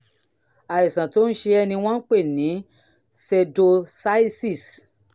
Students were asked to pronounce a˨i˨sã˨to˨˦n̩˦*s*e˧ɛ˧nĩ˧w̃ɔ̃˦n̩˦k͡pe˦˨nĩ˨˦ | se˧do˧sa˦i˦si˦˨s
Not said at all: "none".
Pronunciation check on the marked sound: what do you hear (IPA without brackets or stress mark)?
ʃ